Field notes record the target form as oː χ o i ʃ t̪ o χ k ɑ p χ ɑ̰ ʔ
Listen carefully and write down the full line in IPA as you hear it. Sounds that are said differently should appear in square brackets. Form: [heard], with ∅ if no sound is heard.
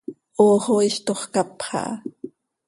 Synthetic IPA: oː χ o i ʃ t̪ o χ k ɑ p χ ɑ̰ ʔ